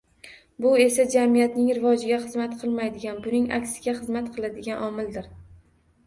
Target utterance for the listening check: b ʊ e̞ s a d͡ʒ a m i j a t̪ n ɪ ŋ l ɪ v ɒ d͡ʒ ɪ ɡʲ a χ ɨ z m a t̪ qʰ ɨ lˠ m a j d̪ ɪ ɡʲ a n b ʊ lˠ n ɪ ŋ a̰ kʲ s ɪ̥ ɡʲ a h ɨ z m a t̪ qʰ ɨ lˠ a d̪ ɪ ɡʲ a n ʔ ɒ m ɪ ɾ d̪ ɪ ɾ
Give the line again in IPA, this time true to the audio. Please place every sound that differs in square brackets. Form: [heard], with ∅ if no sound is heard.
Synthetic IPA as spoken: b ʊ e̞ s a d͡ʒ a m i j a t̪ n ɪ ŋ [ɾ] ɪ v ɒ d͡ʒ ɪ ɡʲ a χ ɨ z m a t̪ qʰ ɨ lˠ m a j d̪ ɪ ɡʲ a n b ʊ [∅] n ɪ ŋ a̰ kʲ s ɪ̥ ɡʲ a [χ] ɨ z m a t̪ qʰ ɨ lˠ a d̪ ɪ ɡʲ a n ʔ ɒ m ɪ [l] d̪ ɪ ɾ